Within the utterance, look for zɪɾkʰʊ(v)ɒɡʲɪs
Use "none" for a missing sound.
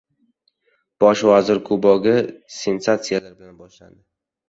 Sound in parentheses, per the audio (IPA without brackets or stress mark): b